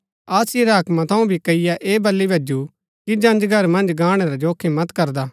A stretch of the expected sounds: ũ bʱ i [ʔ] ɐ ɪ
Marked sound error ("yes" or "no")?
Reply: yes